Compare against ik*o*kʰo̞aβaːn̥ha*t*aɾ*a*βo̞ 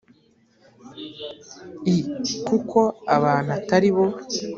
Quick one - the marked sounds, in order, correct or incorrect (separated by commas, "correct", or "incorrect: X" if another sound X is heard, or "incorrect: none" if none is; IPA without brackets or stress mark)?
incorrect: u, correct, incorrect: i